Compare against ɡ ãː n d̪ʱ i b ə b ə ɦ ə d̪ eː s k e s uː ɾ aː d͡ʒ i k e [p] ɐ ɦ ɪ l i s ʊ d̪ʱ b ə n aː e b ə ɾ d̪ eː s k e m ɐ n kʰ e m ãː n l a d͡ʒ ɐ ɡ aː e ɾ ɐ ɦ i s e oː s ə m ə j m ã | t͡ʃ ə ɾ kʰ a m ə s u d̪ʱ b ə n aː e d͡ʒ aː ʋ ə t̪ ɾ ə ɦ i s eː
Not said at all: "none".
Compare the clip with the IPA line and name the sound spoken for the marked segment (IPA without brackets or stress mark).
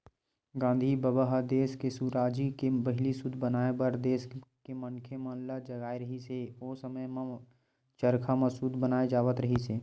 b